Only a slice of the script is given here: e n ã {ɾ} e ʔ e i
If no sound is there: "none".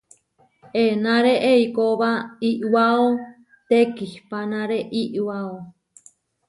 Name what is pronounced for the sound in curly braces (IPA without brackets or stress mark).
ɾ